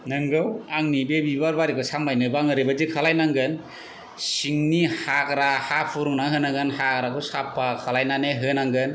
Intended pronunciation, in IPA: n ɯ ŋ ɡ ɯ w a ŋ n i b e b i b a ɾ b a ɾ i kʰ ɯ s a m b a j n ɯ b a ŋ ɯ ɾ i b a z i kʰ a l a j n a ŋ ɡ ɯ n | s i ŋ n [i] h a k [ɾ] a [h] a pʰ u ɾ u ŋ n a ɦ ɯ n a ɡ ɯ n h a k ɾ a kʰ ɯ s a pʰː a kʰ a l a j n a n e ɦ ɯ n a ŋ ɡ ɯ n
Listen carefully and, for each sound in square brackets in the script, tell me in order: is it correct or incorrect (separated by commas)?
correct, correct, correct